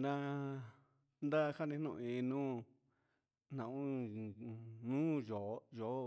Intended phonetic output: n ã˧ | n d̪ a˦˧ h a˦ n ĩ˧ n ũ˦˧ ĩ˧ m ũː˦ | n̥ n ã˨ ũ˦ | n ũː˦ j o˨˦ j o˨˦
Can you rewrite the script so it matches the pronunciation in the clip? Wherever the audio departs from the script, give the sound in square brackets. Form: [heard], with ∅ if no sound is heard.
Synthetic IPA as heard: n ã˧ | n d̪ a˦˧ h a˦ n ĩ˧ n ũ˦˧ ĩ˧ [n] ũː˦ | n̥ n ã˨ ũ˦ | n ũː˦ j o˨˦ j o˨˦